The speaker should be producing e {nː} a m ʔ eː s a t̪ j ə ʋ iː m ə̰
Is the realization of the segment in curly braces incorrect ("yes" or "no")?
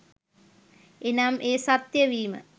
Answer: yes